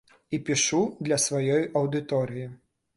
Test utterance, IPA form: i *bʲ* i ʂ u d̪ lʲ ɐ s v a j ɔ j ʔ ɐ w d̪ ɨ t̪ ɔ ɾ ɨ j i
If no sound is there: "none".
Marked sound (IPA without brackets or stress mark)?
pʲ